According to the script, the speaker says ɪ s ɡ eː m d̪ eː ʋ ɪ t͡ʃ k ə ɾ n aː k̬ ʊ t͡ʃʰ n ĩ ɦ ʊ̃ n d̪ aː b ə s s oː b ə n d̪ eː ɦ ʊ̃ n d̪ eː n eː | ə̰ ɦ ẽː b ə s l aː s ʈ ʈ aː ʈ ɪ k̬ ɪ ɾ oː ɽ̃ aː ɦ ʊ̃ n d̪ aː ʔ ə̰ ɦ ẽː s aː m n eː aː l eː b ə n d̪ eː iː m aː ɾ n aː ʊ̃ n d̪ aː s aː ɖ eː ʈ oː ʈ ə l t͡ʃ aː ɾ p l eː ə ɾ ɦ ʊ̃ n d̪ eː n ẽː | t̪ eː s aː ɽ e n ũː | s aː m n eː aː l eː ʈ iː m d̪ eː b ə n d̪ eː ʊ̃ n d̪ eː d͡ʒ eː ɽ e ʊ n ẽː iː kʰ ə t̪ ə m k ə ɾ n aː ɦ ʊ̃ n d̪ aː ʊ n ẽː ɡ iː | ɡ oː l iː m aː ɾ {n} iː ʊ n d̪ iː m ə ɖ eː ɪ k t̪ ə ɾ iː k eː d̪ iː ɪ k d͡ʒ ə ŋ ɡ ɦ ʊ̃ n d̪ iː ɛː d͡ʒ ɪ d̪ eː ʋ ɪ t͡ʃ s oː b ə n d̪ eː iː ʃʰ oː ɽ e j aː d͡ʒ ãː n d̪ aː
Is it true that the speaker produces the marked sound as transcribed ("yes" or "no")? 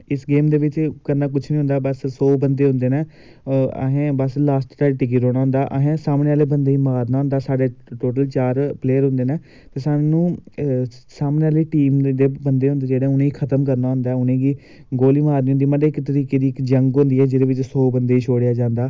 yes